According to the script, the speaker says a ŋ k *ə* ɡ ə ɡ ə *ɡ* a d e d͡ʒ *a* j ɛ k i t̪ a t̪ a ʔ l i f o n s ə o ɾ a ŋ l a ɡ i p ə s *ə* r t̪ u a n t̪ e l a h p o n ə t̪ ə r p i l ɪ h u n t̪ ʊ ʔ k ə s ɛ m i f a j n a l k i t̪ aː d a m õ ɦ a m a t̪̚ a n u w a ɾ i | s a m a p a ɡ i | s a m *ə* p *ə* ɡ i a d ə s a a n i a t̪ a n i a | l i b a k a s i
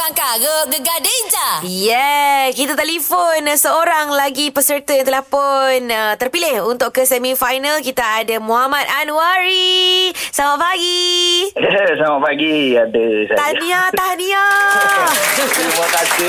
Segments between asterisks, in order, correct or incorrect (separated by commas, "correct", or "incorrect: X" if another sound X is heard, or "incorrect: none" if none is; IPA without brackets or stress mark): incorrect: a, correct, correct, correct, incorrect: a, incorrect: a